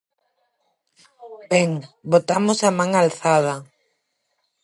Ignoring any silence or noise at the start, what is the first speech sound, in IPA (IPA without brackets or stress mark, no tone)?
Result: b